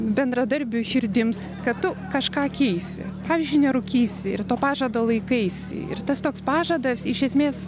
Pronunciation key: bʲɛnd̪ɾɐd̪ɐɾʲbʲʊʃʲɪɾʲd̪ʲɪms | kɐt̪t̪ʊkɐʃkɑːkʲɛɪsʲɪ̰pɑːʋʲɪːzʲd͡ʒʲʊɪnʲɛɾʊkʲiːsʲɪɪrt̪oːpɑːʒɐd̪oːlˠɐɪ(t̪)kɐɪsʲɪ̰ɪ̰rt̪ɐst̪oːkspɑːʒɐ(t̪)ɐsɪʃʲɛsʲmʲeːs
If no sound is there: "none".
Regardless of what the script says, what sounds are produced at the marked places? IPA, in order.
none, d̪

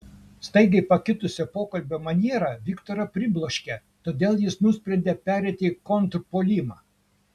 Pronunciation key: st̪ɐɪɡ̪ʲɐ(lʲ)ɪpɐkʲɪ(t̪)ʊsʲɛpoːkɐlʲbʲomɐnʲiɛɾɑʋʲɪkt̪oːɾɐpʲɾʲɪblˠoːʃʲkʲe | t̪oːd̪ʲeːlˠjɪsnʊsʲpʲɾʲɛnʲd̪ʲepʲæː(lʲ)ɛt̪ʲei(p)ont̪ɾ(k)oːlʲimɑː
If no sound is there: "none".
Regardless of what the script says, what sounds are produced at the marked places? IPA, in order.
none, t̪, ɾʲ, k, p

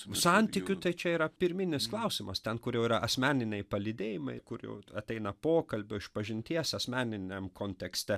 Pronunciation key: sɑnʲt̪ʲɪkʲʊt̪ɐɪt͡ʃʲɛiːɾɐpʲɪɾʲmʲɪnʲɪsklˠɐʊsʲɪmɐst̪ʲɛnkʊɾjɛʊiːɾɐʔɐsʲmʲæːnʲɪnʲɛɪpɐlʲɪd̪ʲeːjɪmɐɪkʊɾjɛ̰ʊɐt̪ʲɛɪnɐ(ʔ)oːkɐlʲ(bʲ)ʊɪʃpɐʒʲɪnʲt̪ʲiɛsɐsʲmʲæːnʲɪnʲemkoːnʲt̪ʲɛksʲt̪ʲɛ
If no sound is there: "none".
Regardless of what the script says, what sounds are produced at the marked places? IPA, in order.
p, bʲ

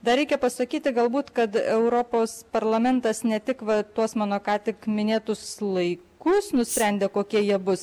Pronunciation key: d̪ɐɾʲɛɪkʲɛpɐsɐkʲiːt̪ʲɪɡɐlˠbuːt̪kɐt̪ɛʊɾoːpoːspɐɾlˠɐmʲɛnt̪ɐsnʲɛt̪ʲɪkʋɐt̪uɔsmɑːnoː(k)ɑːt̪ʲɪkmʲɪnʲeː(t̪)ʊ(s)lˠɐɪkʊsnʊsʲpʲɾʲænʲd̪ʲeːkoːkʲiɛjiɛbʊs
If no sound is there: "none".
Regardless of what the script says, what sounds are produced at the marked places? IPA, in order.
k, t̪, s

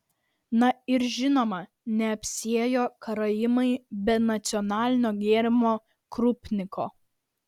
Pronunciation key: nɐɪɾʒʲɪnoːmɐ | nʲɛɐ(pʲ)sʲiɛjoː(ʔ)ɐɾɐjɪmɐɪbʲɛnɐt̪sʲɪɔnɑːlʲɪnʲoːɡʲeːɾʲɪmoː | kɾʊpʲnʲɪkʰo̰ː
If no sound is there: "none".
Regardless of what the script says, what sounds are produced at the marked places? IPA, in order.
pʲ, k

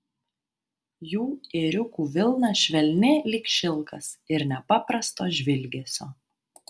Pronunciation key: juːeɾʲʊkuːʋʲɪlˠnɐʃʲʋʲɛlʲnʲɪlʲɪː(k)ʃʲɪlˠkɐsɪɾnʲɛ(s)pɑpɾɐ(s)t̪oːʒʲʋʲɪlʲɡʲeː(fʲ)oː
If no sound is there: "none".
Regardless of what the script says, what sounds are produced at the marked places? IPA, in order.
k, none, s, sʲ

